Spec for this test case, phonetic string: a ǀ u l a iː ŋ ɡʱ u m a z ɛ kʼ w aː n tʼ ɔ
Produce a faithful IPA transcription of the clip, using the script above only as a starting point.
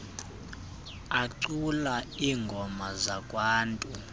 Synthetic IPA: a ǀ u l a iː ŋ ɡʱ ɔ m a z a kʼ w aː n tʼ u